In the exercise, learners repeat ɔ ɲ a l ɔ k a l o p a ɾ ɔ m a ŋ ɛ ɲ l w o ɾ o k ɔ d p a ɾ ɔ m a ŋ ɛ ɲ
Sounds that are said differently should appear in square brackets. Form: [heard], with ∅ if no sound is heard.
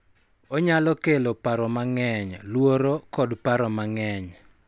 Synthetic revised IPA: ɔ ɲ a l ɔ k [e] l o p a ɾ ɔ m a ŋ ɛ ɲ l w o ɾ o k ɔ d p a ɾ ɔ m a ŋ ɛ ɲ